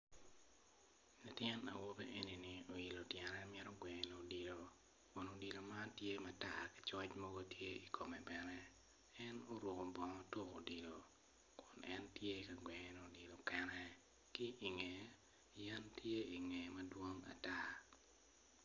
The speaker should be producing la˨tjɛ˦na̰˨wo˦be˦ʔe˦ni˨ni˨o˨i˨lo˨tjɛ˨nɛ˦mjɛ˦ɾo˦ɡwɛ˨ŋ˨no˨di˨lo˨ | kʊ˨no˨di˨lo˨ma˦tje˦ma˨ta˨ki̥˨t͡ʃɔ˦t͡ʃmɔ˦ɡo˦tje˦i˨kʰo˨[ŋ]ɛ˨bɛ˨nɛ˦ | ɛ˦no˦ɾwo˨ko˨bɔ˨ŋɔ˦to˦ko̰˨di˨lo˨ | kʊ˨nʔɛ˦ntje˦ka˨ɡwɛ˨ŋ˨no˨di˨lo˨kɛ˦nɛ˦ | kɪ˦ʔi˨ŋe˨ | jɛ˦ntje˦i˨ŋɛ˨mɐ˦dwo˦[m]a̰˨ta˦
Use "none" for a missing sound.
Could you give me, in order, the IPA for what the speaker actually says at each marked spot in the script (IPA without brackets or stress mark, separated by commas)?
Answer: m, ŋ